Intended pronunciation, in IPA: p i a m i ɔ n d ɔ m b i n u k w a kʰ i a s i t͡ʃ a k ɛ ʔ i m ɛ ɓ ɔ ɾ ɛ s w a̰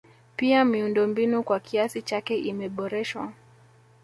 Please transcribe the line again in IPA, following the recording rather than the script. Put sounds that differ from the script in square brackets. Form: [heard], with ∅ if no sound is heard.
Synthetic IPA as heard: p i a m i [u] n d ɔ m b i n u k w a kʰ i a s i t͡ʃ a k ɛ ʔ i m ɛ ɓ ɔ ɾ ɛ [ʃ] w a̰